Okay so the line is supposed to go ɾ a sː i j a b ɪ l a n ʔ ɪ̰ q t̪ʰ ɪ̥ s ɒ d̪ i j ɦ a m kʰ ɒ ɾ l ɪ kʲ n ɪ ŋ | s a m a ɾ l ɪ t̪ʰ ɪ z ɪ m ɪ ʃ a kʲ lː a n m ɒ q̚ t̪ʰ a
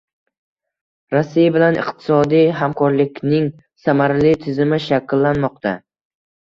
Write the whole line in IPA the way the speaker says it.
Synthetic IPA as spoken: ɾ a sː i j a b ɪ l a n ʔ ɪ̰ q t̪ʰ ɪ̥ s ɒ d̪ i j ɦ a m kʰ ɒ ɾ l ɪ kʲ n ɪ ŋ | s a m a ɾ l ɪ t̪ʰ ɪ z ɪ m ɪ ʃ a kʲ lː a n m ɒ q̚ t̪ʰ a